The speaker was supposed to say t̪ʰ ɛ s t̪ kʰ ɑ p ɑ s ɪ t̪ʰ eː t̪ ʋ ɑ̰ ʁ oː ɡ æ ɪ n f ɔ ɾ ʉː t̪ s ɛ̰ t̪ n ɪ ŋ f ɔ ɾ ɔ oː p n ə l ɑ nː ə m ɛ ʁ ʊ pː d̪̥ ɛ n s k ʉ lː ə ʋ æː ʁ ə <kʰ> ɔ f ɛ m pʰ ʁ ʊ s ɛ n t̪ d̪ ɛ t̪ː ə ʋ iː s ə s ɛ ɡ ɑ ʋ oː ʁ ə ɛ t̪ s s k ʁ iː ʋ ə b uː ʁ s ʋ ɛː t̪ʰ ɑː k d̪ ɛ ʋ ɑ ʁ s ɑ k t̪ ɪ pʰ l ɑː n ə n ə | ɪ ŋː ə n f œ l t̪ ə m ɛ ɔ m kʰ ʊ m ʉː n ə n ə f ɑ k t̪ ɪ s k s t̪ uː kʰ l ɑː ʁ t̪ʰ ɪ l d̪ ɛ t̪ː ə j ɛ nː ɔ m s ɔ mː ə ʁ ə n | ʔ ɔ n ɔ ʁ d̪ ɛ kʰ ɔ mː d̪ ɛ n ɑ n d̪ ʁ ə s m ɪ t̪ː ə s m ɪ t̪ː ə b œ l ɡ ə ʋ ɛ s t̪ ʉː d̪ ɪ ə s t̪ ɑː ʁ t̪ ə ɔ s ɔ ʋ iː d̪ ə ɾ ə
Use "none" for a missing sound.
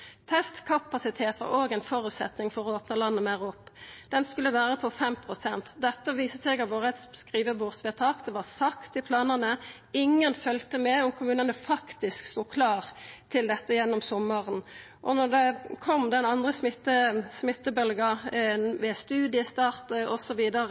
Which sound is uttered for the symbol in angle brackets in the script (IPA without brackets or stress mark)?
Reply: pʰ